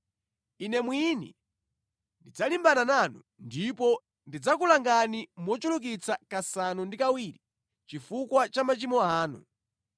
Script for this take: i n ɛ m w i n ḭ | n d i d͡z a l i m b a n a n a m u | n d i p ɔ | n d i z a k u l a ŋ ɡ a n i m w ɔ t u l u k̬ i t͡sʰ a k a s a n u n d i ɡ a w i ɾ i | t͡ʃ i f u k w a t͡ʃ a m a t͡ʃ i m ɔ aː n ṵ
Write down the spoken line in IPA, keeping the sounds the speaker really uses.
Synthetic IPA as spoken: i n ɛ m w i n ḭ | n d i d͡z a l i m b a n a n a n u | n d i p ɔ | n d i d͡z a k u l a ŋ ɡ a n i m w ɔ t͡ʃ u l u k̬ i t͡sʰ a k a s a n u n d i k a w i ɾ i | t͡ʃ i f u k w a t͡ʃ a m a t͡ʃ i m ɔ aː n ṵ